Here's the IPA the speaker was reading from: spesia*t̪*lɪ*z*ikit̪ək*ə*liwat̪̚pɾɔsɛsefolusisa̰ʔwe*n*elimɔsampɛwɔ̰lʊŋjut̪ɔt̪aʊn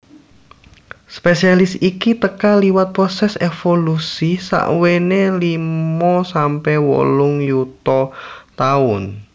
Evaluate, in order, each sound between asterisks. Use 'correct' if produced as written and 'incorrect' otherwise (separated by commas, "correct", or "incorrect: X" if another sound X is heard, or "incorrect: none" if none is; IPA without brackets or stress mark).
incorrect: none, incorrect: s, incorrect: a, correct